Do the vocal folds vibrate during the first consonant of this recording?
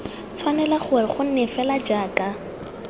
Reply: no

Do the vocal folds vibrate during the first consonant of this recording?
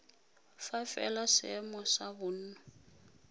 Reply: no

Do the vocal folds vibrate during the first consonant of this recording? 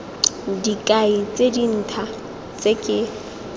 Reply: yes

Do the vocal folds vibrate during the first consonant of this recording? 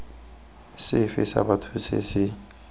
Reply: no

